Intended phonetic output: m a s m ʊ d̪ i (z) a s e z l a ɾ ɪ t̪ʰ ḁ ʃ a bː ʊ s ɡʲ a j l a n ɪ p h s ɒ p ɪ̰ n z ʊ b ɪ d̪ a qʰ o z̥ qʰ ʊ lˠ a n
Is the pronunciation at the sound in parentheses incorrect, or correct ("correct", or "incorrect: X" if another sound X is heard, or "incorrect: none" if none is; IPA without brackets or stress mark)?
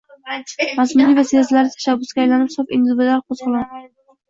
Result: incorrect: v